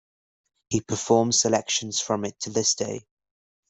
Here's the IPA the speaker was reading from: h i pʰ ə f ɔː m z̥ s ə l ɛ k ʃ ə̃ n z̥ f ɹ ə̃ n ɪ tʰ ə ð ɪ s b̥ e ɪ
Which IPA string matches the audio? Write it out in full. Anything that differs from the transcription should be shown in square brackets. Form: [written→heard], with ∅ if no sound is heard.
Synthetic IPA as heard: h i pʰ ə f ɔː m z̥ s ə l ɛ k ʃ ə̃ n z̥ f ɹ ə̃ [n→m] ɪ tʰ ə ð ɪ s [b̥→d̥] e ɪ